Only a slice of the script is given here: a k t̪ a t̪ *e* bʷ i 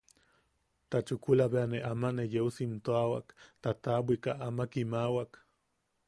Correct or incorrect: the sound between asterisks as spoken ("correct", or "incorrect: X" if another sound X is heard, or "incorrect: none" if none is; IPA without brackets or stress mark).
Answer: incorrect: a